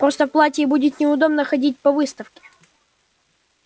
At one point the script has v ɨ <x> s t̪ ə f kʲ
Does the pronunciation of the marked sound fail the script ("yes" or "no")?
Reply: yes